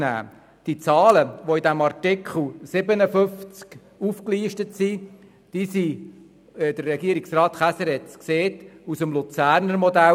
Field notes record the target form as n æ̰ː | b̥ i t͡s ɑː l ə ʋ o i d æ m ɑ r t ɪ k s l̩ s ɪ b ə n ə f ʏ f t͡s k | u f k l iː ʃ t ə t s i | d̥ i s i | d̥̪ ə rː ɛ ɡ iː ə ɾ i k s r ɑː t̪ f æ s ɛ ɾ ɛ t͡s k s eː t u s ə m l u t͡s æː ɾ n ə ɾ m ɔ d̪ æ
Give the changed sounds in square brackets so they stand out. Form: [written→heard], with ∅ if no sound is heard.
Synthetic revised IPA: n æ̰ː | [b̥→d̥] i t͡s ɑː l ə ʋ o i d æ m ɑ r t ɪ k [s→χ] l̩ s ɪ b ə n ə f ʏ f t͡s k | u f k l iː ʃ t ə t s i | d̥ i s i | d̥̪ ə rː ɛ ɡ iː ə ɾ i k s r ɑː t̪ [f→χ] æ s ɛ ɾ ɛ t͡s k s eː t u s ə m l u t͡s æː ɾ n ə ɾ m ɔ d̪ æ

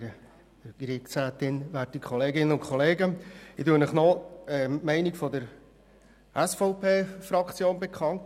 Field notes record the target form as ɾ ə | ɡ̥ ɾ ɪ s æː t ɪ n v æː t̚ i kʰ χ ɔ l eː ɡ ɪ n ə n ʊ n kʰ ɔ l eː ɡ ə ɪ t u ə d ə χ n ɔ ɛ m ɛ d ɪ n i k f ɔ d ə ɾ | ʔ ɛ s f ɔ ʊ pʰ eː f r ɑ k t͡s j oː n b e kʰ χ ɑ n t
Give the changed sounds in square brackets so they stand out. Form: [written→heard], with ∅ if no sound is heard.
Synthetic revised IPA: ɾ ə | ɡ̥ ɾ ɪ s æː t ɪ n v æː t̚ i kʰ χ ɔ l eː ɡ ɪ n ə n ʊ n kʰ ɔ l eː ɡ ə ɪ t u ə [d→n] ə χ n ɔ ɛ m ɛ [d→∅] ɪ n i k f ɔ d ə ɾ | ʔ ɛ s f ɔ ʊ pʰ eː f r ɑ k t͡s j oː n b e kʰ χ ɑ n t

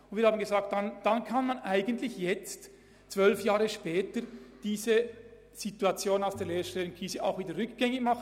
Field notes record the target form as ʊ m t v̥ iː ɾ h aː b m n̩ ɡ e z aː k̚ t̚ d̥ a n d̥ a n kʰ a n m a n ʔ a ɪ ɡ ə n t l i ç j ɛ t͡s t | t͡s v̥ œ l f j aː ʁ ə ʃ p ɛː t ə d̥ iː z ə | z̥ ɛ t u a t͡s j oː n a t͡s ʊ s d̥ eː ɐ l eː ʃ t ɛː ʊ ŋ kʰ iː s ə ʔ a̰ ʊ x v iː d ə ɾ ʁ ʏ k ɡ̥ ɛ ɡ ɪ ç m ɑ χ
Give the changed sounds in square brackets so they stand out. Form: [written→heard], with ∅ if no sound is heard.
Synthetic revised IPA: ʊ [m→n] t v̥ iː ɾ h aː b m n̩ ɡ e z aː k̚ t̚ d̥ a n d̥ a n kʰ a n m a n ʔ a ɪ ɡ ə n t l [i→ɪ] ç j ɛ t͡s t | t͡s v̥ œ l f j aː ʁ ə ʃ p ɛː t ə d̥ iː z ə | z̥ [ɛ→i] t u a t͡s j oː n a [t͡s→∅] ʊ s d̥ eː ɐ l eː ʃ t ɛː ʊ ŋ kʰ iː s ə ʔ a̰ ʊ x v iː d ə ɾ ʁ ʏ k ɡ̥ ɛ [ɡ→ŋ] ɪ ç m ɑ χ

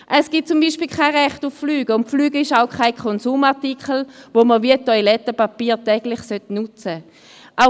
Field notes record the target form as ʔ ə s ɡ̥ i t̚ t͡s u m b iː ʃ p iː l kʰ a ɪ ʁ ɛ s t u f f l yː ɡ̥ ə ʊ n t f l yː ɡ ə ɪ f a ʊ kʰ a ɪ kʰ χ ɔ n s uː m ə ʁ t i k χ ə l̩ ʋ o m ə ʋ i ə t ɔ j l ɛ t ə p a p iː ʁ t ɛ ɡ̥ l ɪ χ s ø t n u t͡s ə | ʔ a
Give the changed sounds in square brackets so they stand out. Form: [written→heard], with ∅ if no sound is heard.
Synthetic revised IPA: ʔ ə s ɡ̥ i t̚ t͡s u m b iː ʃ p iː l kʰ a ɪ ʁ ɛ [s→χ] t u f f l yː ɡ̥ ə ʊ n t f l yː ɡ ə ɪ [f→ʃ] a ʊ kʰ a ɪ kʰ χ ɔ n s uː m [ə→a] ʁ t i k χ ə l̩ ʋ o m ə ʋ i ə t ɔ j l ɛ t ə p a p iː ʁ t ɛ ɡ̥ l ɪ χ s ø t n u t͡s ə | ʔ a

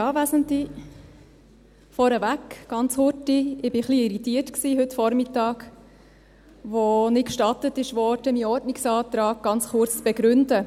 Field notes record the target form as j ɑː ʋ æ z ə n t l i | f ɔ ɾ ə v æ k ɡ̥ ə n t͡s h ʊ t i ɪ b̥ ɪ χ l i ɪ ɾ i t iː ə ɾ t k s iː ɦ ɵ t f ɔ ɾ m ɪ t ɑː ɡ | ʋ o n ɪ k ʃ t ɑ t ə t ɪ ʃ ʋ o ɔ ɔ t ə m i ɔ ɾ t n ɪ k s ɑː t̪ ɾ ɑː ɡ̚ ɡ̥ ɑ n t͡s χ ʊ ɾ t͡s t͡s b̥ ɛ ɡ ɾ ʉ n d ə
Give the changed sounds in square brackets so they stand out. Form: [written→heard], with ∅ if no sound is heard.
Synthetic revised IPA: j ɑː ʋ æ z ə n t l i | f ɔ ɾ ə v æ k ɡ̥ [ə→ɑ] n t͡s h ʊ t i ɪ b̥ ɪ χ l i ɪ ɾ i t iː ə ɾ t k s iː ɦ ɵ t f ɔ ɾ m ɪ t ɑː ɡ | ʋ o n ɪ k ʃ t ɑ t ə t ɪ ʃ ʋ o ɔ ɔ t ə m i ɔ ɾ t n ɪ k s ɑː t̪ ɾ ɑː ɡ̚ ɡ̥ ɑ n t͡s χ ʊ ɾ t͡s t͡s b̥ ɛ ɡ ɾ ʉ n d ə

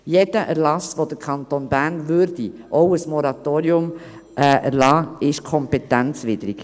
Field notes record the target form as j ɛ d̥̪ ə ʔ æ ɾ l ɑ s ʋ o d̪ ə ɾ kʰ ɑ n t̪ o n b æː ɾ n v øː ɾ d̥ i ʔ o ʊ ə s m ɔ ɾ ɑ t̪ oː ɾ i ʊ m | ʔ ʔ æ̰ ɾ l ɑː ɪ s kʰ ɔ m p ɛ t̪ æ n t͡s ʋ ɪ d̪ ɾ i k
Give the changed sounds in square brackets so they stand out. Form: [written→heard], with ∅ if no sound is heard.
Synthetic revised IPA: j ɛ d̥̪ ə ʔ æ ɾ l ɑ s ʋ o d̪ ə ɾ kʰ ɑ n t̪ o n b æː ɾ n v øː ɾ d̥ i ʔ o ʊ ə s m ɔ ɾ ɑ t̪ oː ɾ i ʊ m | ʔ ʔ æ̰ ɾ l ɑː ɪ [s→ʃ] kʰ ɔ m p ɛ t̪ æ n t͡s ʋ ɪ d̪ ɾ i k

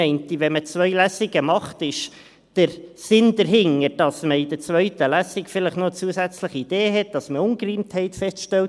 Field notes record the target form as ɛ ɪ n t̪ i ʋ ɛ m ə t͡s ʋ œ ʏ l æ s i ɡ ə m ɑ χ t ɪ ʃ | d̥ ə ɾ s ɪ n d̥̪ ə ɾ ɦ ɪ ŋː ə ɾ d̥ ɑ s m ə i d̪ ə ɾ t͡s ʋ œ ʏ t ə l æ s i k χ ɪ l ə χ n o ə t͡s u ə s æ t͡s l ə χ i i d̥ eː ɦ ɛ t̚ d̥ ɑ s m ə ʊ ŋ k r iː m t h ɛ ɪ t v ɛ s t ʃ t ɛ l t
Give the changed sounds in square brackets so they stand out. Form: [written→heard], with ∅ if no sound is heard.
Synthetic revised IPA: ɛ ɪ n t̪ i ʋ ɛ m ə t͡s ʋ œ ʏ l æ s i ɡ ə m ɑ χ t ɪ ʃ | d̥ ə ɾ s ɪ n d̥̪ ə ɾ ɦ ɪ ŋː ə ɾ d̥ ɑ s m ə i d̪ ə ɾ t͡s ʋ œ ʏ t ə l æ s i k [χ→f] ɪ l ə χ n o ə t͡s u ə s æ t͡s l ə χ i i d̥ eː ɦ ɛ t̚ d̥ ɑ s m ə ʊ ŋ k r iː m t h ɛ ɪ t [v→f] ɛ s t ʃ t ɛ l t

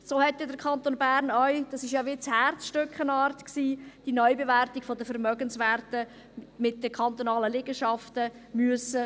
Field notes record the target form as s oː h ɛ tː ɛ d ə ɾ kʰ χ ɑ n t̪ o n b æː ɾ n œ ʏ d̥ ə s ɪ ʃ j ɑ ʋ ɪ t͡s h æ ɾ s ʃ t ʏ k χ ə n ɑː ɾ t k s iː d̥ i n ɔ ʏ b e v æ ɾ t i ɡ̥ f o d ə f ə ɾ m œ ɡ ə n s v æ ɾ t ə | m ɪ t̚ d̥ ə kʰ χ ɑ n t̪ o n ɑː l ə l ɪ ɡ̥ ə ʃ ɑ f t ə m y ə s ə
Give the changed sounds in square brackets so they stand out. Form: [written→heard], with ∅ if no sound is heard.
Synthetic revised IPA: s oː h ɛ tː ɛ d ə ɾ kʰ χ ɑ n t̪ o n b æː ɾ n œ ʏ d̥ [ə→ɑ] s ɪ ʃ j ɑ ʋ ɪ t͡s h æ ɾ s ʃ t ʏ k χ ə n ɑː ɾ t k s iː d̥ i n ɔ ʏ b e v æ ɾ t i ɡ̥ f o d ə f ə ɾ m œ ɡ ə n s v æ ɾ t ə | m ɪ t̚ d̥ ə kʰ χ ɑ n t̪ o n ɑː l ə l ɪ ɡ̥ ə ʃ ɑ f t ə m y ə s ə

